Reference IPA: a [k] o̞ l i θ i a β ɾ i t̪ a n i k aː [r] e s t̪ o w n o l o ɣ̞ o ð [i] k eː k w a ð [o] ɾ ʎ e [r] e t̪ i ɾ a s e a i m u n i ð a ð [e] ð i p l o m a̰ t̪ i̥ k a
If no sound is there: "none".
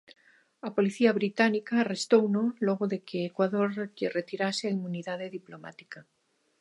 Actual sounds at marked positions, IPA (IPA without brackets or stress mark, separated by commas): p, r, e, o, r, e